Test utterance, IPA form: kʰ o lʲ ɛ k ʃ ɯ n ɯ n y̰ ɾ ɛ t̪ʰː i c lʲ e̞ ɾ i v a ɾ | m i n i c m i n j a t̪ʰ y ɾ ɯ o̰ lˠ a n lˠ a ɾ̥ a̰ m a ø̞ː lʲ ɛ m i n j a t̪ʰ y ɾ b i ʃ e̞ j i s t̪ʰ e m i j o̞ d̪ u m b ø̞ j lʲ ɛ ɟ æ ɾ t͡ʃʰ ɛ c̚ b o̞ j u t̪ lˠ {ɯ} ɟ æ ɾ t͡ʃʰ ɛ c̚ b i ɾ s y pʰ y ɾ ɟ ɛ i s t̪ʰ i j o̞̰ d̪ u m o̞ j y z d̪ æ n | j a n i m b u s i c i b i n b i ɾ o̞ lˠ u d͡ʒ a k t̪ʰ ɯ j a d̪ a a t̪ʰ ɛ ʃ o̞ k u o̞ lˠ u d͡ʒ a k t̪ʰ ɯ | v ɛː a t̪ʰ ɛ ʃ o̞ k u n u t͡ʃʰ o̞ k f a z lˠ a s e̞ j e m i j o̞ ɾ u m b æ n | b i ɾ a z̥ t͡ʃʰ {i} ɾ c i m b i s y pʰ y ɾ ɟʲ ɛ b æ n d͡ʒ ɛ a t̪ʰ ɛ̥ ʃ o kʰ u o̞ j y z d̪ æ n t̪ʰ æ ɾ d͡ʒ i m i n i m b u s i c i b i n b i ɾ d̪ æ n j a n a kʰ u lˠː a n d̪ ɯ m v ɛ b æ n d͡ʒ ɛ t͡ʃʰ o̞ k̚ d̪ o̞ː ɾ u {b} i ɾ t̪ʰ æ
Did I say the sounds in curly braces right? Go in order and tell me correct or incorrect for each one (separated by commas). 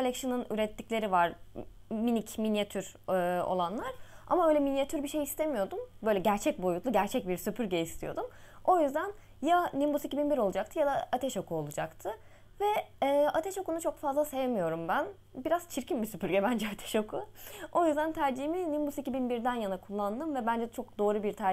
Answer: incorrect, correct, correct